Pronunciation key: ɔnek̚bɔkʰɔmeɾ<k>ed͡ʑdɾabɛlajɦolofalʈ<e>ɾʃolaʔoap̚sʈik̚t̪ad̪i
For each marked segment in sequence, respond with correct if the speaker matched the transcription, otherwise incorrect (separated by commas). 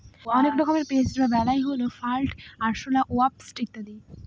incorrect, incorrect